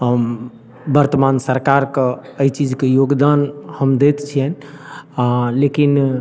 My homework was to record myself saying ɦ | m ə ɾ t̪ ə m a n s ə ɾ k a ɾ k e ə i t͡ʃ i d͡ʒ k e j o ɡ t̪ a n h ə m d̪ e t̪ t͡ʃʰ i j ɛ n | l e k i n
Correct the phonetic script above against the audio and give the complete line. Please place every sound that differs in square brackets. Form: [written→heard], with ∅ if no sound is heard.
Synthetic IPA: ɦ | [m→b] ə ɾ t̪ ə m a n s ə ɾ k a ɾ k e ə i t͡ʃ i d͡ʒ k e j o ɡ [t̪→d̪] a n h ə m d̪ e t̪ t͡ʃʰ i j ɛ n | l e k i n